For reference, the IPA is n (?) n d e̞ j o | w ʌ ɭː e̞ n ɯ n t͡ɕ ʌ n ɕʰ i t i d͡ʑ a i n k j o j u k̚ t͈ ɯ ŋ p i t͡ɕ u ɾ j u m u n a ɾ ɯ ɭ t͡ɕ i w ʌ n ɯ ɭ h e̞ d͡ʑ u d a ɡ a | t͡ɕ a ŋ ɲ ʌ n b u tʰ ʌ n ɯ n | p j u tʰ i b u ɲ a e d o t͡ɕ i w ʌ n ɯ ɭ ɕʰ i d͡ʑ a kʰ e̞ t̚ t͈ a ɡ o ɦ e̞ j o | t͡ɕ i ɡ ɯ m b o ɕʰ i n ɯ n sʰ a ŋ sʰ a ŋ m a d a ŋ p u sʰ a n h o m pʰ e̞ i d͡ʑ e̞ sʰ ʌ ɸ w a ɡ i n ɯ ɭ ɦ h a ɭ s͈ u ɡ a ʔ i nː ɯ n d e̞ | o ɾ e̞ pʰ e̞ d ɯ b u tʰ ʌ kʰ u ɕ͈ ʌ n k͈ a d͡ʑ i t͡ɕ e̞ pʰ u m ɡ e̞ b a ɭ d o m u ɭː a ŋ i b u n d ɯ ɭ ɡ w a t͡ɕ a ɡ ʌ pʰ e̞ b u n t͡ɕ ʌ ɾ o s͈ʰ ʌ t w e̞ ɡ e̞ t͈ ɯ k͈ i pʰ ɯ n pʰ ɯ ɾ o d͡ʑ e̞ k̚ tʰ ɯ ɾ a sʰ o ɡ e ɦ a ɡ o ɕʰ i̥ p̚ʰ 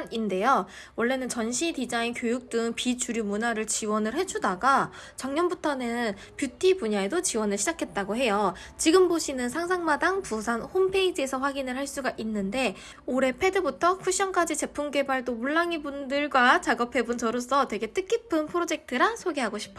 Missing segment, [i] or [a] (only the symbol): i